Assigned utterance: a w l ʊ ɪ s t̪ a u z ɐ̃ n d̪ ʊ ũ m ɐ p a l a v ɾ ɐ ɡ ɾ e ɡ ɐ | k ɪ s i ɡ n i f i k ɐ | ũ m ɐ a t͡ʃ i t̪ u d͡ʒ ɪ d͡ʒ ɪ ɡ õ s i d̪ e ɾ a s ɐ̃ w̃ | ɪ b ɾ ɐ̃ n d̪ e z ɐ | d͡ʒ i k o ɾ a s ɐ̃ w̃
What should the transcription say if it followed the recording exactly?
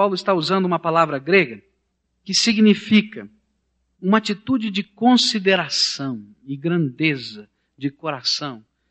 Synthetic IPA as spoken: a w l ʊ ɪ s t̪ a u z ɐ̃ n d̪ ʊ ũ m ɐ p a l a v ɾ ɐ ɡ ɾ e ɡ ɐ | k ɪ s i ɡ n i f i k ɐ | ũ m ɐ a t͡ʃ i t̪ u d͡ʒ ɪ d͡ʒ ɪ k õ s i d̪ e ɾ a s ɐ̃ w̃ | ɪ ɡ ɾ ɐ̃ n d̪ e z ɐ | d͡ʒ ɪ k o ɾ a s ɐ̃ w̃